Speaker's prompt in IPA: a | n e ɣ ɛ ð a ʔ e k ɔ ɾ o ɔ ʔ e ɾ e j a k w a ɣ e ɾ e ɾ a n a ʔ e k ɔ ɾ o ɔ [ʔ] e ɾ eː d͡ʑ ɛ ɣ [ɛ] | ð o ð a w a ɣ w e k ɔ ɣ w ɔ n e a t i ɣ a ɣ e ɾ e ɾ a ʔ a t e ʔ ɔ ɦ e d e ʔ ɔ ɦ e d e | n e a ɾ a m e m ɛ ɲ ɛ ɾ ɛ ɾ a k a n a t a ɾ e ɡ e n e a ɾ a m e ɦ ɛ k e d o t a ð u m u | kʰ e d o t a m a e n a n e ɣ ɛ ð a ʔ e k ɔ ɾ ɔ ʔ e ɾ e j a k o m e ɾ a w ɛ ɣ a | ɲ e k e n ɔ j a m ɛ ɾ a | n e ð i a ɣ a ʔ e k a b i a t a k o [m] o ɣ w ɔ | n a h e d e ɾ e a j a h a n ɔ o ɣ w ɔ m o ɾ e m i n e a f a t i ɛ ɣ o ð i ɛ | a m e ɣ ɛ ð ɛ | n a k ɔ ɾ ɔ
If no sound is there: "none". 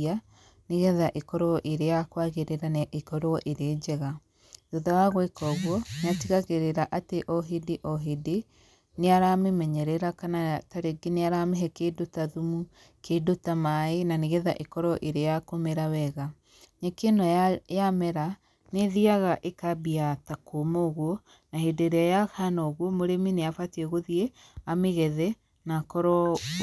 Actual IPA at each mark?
ʔ, a, m

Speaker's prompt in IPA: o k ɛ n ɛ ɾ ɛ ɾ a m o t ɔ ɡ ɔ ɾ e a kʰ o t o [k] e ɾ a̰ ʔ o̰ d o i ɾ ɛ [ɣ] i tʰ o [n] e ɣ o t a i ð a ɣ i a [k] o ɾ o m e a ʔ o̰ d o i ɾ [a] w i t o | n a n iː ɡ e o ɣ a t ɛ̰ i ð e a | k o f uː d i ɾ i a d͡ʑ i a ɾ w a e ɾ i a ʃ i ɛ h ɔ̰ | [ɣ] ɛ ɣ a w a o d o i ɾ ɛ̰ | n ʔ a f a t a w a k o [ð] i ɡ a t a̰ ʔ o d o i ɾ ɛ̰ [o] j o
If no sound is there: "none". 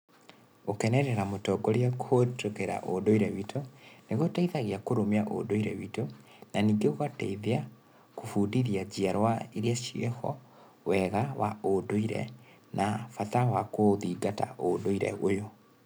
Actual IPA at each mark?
k, w, n, k, ɛ, w, ð, o

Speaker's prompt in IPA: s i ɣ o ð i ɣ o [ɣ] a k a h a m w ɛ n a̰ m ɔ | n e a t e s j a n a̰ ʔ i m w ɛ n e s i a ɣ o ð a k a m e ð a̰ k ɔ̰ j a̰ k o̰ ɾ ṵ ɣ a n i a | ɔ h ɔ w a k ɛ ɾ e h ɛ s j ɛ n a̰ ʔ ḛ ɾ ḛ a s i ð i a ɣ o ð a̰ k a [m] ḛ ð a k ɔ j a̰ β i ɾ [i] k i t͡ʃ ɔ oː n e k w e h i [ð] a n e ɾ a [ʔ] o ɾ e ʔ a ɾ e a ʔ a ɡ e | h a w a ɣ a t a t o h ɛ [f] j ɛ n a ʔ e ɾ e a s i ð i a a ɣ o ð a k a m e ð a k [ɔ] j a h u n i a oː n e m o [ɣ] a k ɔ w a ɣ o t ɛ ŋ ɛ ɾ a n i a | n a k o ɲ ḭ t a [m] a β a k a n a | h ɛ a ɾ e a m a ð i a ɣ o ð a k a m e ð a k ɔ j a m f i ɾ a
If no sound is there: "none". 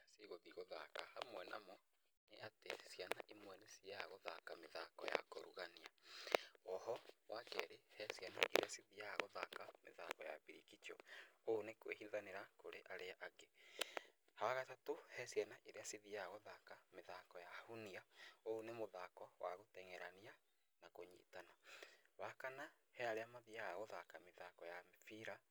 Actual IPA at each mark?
ð, m, i, ð, k, s, ɔ, ð, n

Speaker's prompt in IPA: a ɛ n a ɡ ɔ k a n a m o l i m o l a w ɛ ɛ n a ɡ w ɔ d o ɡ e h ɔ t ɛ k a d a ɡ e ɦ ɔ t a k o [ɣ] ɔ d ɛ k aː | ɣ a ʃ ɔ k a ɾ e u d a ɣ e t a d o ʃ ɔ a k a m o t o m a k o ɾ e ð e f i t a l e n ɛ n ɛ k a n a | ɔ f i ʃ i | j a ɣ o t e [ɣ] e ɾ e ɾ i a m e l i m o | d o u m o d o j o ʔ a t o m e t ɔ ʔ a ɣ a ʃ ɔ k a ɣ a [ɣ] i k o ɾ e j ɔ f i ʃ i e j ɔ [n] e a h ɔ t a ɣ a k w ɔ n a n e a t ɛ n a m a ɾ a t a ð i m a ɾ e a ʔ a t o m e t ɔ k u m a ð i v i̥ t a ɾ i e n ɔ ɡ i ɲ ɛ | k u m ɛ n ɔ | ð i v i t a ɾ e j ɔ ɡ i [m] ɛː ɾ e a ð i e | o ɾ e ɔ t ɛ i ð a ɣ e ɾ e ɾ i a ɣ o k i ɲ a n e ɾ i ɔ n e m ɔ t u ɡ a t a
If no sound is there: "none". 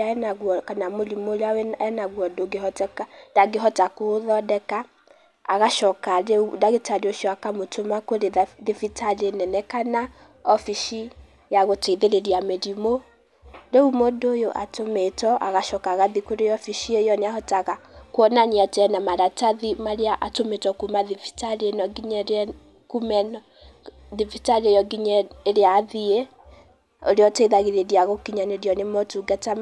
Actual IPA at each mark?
ð, ð, ð, n, ɲ

